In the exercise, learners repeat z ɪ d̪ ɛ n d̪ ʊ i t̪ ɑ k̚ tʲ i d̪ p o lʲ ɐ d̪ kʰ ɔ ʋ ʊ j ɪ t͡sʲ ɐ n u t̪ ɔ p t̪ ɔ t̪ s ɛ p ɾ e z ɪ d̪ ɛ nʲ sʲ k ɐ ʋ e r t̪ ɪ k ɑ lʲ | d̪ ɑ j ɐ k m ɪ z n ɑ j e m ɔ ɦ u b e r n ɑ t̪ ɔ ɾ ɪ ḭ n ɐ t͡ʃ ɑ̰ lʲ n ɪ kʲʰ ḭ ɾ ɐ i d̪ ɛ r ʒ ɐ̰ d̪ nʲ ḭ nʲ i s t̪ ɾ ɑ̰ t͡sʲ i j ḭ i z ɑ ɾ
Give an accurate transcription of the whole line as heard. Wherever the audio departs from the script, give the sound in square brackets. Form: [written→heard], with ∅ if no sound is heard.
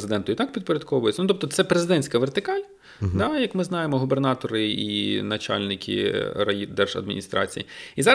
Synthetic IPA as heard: z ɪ d̪ ɛ n [d̪→t̪] ʊ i t̪ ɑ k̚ [tʲ→pʲ] i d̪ p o [lʲ→ɾʲ] ɐ d̪ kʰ ɔ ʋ ʊ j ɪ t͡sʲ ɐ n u t̪ ɔ p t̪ ɔ t̪ s ɛ p ɾ e z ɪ d̪ ɛ nʲ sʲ k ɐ ʋ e r t̪ ɪ k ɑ lʲ | d̪ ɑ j ɐ k m ɪ z n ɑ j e m ɔ ɦ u b e r n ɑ t̪ ɔ ɾ ɪ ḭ n ɐ t͡ʃ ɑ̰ lʲ n ɪ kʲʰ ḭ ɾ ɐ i d̪ ɛ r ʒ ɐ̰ d̪ [nʲ→mʲ] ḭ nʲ i s t̪ ɾ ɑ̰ t͡sʲ i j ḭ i z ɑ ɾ